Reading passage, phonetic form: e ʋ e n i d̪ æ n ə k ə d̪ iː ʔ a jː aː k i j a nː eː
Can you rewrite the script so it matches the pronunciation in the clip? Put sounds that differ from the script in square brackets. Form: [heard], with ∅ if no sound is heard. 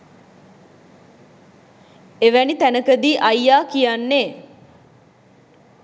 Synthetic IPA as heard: e ʋ [æ] n i [t̪] æ n ə k ə d̪ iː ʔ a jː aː k i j a nː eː